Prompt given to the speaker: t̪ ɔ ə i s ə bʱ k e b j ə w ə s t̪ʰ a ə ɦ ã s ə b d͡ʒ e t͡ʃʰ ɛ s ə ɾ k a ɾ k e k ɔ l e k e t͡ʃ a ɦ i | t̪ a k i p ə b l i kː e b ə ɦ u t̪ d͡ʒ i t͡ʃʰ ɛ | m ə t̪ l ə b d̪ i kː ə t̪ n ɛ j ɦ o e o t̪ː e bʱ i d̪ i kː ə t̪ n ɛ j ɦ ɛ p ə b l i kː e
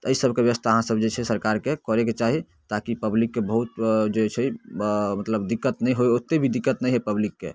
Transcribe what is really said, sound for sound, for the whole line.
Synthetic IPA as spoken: t̪ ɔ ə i s ə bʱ k e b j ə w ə s t̪ʰ a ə ɦ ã s ə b d͡ʒ e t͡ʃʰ ɛ s ə ɾ k a ɾ k e k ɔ ɾ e k e t͡ʃ a ɦ i | t̪ a k i p ə b l i kː e b ə ɦ u t̪ d͡ʒ e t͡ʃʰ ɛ | m ə t̪ l ə b d̪ i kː ə t̪ n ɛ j ɦ o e o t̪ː e bʱ i d̪ i kː ə t̪ n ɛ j ɦ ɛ p ə b l i kː e